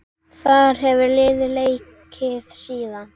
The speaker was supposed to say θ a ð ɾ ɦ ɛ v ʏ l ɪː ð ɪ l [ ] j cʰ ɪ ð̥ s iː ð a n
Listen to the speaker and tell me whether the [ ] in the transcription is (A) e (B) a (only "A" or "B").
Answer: A